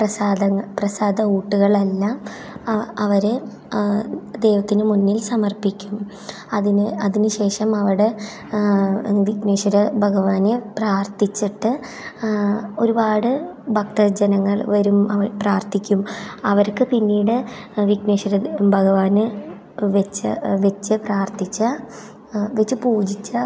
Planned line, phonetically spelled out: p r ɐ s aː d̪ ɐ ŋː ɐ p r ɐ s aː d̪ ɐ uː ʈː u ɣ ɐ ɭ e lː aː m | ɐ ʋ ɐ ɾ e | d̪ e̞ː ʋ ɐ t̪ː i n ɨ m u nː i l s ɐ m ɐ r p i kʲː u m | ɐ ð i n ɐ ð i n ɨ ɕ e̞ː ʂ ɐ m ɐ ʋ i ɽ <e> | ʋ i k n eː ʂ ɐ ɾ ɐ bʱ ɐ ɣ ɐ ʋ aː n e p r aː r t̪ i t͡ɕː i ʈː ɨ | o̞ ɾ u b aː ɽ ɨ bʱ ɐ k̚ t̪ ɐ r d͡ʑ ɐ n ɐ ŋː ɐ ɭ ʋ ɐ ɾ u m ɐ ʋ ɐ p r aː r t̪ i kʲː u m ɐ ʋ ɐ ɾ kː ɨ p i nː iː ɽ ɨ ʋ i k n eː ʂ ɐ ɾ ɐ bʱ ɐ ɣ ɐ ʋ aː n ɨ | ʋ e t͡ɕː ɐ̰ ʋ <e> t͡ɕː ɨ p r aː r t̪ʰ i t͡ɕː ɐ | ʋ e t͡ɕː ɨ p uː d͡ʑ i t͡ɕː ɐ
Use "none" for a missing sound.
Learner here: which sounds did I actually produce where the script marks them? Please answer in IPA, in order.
e, e

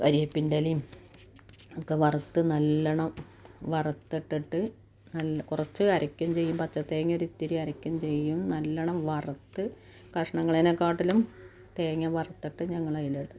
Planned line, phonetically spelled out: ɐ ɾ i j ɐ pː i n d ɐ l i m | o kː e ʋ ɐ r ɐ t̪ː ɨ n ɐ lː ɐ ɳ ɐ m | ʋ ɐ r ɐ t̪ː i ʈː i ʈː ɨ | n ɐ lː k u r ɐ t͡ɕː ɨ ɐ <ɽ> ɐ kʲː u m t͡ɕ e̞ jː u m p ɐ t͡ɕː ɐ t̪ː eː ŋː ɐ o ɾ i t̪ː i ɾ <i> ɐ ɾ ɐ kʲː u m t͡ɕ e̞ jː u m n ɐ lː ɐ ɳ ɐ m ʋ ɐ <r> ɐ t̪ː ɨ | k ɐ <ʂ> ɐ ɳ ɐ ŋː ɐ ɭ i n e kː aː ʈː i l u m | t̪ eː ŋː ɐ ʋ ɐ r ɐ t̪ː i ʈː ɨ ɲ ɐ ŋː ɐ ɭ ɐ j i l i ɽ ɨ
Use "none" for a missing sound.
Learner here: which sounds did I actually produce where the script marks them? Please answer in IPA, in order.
ɾ, i, r, ʂ

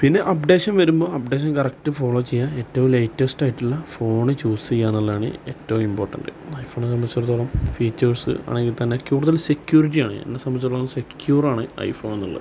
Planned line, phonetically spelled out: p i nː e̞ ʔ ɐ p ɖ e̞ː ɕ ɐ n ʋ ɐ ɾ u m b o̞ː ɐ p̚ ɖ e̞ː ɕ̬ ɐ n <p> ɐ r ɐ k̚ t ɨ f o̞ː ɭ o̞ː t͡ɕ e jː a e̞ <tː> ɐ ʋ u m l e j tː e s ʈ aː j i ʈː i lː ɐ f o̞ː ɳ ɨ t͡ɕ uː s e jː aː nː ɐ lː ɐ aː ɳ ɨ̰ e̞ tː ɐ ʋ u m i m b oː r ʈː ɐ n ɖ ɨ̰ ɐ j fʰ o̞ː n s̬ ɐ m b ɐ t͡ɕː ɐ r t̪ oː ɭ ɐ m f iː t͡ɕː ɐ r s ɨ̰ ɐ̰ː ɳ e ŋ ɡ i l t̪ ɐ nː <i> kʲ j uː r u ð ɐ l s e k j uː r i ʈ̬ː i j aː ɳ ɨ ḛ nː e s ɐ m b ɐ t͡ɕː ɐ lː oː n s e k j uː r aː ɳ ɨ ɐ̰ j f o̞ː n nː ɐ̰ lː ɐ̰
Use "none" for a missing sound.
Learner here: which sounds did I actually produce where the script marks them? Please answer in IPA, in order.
k, tː, e

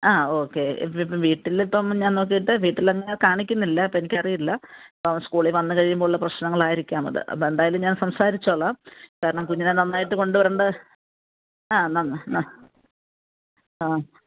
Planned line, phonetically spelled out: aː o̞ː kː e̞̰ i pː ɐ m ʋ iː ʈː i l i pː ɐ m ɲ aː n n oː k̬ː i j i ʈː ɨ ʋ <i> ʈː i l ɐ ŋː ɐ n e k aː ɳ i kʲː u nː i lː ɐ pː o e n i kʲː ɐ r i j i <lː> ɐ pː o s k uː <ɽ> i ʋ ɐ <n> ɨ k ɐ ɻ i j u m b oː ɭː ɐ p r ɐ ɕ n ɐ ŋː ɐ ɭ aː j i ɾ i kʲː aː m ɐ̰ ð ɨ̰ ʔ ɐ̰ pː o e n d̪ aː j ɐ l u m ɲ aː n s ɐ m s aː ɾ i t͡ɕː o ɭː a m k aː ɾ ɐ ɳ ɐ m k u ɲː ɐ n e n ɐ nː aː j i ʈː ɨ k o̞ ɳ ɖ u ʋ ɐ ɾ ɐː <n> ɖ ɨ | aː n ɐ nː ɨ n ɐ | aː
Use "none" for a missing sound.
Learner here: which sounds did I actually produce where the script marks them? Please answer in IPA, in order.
iː, lː, ɭ, nː, ɳ

